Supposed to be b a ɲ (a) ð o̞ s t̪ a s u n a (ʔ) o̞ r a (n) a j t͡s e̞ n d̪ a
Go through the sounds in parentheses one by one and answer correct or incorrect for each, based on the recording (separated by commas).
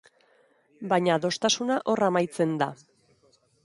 correct, correct, incorrect